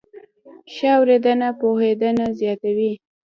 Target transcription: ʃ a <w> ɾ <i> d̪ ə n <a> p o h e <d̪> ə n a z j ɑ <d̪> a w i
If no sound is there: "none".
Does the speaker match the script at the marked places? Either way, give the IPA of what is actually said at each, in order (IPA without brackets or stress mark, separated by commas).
w, e, a, d̪, t̪